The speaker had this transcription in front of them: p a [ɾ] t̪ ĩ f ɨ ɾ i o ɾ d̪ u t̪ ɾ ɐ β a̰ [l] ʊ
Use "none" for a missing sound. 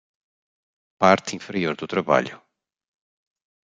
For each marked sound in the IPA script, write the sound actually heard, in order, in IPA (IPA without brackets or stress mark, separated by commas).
ɾ, ʎ